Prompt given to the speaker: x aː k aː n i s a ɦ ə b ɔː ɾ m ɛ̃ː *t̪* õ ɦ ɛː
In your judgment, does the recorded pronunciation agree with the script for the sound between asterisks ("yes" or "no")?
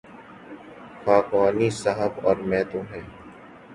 yes